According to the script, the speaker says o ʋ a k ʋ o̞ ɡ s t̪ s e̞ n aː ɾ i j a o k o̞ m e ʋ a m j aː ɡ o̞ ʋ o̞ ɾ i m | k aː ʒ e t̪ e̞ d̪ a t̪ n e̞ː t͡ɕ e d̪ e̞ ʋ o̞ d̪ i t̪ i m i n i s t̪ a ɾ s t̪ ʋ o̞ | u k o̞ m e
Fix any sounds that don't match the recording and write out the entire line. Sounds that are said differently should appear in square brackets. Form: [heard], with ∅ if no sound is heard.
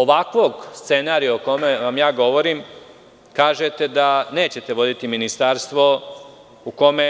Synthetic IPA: o ʋ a k ʋ o̞ ɡ s t̪ s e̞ n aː ɾ i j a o k o̞ m e ʋ a m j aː ɡ o̞ ʋ o̞ ɾ i m | k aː ʒ e t̪ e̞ d̪ a [∅] n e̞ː t͡ɕ e [t̪] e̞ ʋ o̞ d̪ i t̪ i m i n i s t̪ a ɾ s t̪ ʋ o̞ | u k o̞ m e

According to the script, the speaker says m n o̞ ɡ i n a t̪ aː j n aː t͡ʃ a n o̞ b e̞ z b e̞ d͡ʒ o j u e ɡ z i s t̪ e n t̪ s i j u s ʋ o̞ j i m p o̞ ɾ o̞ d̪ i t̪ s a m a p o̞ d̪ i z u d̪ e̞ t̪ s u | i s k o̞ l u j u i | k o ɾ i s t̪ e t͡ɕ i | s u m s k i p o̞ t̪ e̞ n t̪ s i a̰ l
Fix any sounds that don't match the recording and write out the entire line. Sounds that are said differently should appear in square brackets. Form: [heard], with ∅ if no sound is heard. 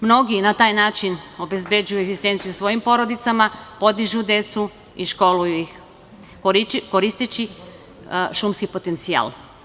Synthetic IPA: m n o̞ ɡ i n a t̪ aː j n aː t͡ʃ [i] n o̞ b e̞ z b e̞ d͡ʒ [u] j u e ɡ z i s t̪ e n t̪ s i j u s ʋ o̞ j i m p o̞ ɾ o̞ d̪ i t̪ s a m a p o̞ d̪ i [ʒ] u d̪ e̞ t̪ s u | i [ʃ] k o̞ l u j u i | k o ɾ i s t̪ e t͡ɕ i | [ʃ] u m s k i p o̞ t̪ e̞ n t̪ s i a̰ l

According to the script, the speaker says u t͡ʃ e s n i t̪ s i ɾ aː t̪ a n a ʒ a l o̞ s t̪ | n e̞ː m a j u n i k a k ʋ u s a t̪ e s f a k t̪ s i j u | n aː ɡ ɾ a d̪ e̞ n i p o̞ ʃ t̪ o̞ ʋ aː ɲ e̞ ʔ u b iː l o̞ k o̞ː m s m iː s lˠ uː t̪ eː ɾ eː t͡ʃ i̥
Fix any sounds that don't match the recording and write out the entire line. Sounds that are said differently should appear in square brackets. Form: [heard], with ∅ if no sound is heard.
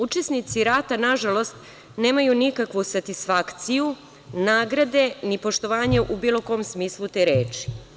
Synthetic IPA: u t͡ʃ e s n i t̪ s i ɾ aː t̪ a n a ʒ a l o̞ s t̪ | n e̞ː m a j u n i k a k ʋ u s a t̪ [i] s f a k t̪ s i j u | n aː ɡ ɾ a d̪ e̞ n i p o̞ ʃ t̪ o̞ ʋ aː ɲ e̞ ʔ u b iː l o̞ k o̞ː m s m iː s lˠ [u] t̪ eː ɾ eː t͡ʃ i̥

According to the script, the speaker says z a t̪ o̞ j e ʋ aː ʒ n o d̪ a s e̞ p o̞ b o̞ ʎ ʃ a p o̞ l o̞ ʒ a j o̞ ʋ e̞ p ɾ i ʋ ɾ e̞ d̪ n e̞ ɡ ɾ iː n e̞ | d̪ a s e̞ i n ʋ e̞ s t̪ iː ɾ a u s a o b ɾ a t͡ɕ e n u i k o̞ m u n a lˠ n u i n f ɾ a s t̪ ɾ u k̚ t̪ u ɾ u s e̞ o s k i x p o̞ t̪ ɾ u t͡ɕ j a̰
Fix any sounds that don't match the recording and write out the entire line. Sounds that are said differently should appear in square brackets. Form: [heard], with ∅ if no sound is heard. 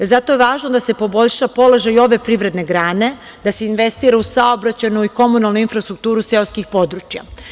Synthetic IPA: z a t̪ o̞ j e ʋ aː ʒ n o d̪ a s e̞ p o̞ b o̞ ʎ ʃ a p o̞ l o̞ ʒ a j o̞ ʋ e̞ p ɾ i ʋ ɾ e̞ d̪ n e̞ ɡ ɾ [aː] n e̞ | d̪ a s e̞ i n ʋ e̞ s t̪ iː ɾ a u s a o b ɾ a t͡ɕ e n u i k o̞ m u n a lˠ n u i n f ɾ a s t̪ ɾ u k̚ t̪ [uː] ɾ u s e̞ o s k i x p o̞ [d̪] ɾ u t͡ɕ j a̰

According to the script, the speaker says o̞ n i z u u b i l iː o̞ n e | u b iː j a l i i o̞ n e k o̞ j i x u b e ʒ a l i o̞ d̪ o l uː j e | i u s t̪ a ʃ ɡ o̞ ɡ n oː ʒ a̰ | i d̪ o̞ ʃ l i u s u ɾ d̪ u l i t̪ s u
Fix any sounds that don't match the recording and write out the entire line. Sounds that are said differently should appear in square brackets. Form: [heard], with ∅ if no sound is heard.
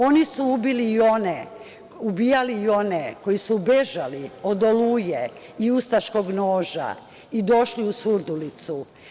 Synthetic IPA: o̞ n i [s] u u b i l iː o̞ n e | u b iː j a l i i o̞ n e k o̞ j i [s] u b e ʒ a l i o̞ d̪ o l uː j e | i u s t̪ a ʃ [k] o̞ ɡ n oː ʒ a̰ | i d̪ o̞ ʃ l i u s u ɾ d̪ u l i t̪ s u

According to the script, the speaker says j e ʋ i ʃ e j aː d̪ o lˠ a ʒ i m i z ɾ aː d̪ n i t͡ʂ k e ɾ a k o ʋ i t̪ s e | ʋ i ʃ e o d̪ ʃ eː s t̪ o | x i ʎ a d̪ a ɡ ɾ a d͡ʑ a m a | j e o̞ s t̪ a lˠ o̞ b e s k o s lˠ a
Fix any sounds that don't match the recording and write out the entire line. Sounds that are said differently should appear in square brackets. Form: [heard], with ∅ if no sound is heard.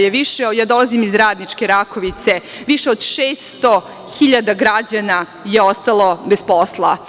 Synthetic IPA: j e ʋ i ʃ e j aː d̪ o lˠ a [z] i m i z ɾ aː d̪ n i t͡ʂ k e ɾ a k o ʋ i t̪ s e | ʋ i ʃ e o d̪ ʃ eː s t̪ o | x i ʎ a d̪ a ɡ ɾ a d͡ʑ a [n] a | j e o̞ s t̪ a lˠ o̞ b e s [p] o s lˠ a

